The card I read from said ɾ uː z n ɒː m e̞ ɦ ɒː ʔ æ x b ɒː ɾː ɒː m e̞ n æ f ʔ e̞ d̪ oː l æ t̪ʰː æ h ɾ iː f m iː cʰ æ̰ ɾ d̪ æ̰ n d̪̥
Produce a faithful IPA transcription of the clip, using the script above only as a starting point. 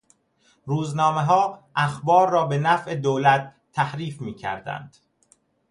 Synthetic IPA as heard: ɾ uː z n ɒː m e̞ ɦ ɒː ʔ æ x b ɒː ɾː ɒː b e̞ n æ f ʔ e̞ d̪ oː l æ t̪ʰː æ h ɾ iː f m iː cʰ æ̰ ɾ d̪ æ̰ n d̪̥

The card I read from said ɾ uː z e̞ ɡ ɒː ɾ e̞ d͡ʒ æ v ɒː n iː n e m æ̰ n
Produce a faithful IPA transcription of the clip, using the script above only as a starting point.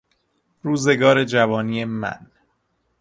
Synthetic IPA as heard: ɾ uː z e̞ ɡ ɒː ɾ e̞ d͡ʒ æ v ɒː n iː e m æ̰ n

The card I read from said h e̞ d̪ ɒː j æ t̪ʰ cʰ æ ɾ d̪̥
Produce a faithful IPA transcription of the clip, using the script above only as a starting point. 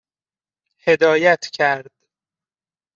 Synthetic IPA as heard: h e̞ d̪ ɒː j æ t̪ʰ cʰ æ ɾ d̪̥

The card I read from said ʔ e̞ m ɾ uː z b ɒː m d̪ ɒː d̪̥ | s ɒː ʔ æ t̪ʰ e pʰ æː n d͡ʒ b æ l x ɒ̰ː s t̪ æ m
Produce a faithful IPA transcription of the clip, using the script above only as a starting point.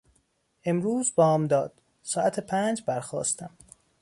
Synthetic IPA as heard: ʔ e̞ m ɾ uː z b ɒː m d̪ ɒː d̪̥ | s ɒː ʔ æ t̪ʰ e pʰ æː n d͡ʒ b æ ɾ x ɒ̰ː s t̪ æ m

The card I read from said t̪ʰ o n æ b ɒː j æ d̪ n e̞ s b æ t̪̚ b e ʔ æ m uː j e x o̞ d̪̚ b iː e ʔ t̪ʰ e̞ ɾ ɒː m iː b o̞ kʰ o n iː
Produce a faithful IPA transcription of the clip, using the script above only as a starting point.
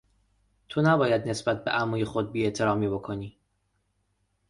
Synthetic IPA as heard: t̪ʰ o n æ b ɒː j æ d̪ n e̞ s b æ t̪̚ b e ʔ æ m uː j e x o̞ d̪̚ b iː e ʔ t̪ʰ e̞ ɾ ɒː m iː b o̞ kʰ o n iː

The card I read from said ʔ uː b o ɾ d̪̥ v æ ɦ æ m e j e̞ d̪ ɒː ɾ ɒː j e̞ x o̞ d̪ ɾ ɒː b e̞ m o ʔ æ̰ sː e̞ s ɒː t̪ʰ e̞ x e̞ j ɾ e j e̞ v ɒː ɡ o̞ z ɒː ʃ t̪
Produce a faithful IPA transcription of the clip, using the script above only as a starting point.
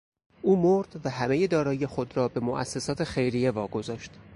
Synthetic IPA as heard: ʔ uː m o ɾ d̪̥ v æ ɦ æ m e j e̞ d̪ ɒː ɾ ɒː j e̞ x o̞ d̪ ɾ ɒː b e̞ m o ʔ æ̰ sː e̞ s ɒː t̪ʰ e̞ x e̞ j ɾ i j e̞ v ɒː ɡ o̞ z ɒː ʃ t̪

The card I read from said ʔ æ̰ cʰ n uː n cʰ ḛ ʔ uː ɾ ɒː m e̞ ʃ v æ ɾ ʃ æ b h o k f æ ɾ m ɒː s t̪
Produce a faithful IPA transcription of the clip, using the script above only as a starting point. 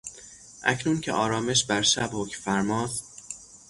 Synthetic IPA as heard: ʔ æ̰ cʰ n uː n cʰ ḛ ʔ ɒː ɾ ɒː m e̞ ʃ b æ ɾ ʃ æ b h o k f æ ɾ m ɒː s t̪

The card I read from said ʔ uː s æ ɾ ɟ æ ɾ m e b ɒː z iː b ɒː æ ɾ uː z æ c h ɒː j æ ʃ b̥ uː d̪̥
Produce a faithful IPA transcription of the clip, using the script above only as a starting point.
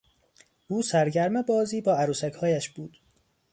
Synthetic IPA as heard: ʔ uː s æ ɾ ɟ æ ɾ m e b ɒː z iː b ɒː æ ɾ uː s æ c h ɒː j æ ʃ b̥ uː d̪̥

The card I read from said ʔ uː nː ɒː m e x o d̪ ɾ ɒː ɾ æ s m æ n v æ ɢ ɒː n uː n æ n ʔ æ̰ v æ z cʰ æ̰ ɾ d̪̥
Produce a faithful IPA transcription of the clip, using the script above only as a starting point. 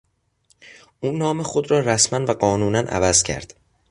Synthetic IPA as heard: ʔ uː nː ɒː m e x o d̪ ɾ ɒː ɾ æ s m æ n v æ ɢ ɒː n uː n æ n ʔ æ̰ v æ z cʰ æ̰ ɾ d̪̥

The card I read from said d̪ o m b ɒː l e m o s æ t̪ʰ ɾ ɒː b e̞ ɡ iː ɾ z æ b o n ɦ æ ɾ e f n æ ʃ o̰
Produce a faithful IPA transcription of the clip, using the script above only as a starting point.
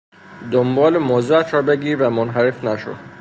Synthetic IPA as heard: d̪ o m b ɒː l e m o z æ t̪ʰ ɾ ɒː b e̞ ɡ iː ɾ v æ m o n ɦ æ ɾ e f n æ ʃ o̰

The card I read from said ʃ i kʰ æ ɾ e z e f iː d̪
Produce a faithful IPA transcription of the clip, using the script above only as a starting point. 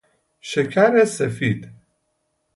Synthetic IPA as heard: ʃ e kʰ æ ɾ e s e f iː d̪

